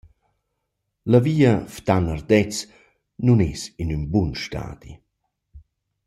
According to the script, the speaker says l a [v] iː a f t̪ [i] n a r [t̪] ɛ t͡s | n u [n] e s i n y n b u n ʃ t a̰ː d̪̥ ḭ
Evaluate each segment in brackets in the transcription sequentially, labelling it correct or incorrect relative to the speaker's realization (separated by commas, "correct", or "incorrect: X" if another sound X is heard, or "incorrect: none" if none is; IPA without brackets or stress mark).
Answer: correct, incorrect: a, incorrect: d̪, correct